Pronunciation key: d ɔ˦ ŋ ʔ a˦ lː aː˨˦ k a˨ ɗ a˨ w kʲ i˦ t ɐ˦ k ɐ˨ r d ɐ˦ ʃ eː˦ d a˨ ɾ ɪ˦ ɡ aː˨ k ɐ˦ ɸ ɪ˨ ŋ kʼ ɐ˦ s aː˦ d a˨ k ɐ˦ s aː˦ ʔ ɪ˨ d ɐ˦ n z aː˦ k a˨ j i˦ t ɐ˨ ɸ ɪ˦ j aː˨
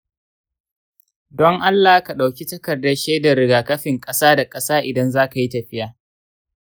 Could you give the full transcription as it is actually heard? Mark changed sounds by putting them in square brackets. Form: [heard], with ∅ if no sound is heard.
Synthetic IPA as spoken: d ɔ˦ ŋ ʔ a˦ lː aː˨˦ k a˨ ɗ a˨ w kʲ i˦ t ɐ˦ k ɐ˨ r d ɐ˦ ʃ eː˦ d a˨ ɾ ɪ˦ ɡ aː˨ k ɐ˦ ɸ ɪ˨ ŋ kʼ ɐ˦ s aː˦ d a˨ [kʼ] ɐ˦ s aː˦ ʔ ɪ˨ d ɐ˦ n z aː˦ k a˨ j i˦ t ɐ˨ ɸ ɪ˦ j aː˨